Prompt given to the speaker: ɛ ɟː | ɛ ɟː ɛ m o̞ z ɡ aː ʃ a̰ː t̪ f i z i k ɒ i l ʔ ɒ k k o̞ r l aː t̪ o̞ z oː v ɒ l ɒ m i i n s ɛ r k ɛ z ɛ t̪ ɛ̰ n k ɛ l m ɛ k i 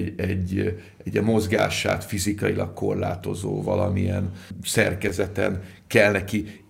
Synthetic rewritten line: ɛ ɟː | ɛ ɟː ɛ m o̞ z ɡ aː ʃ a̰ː t̪ f i z i k ɒ i l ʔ ɒ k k o̞ r l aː t̪ o̞ z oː v ɒ l ɒ m i ɛ n s ɛ r k ɛ z ɛ t̪ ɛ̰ n k ɛ l n ɛ k i